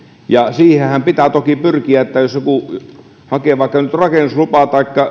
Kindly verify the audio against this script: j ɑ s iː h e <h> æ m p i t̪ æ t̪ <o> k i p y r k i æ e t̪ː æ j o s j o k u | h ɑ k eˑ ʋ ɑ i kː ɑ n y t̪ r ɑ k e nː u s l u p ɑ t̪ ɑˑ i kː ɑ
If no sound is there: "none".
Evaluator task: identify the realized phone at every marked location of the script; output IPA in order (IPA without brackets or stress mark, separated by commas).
h, o